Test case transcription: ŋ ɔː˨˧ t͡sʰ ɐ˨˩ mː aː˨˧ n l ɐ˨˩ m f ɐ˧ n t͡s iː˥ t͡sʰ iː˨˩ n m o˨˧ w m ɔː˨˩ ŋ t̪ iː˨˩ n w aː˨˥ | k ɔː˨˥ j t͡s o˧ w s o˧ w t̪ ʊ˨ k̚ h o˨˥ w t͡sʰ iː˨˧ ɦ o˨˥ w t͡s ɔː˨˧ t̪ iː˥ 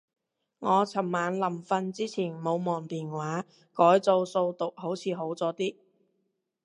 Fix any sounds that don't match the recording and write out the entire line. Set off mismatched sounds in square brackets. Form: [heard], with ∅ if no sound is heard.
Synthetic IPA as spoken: ŋ ɔː˨˧ t͡sʰ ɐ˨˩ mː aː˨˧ n l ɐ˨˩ m f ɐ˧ n t͡s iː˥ t͡sʰ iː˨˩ n m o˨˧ w m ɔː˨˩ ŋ t̪ iː˨˩ n w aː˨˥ | k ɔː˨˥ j t͡s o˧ w s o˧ w t̪ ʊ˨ k̚ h o˨˥ w t͡sʰ iː˨˧ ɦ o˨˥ w t͡s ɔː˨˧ t̪ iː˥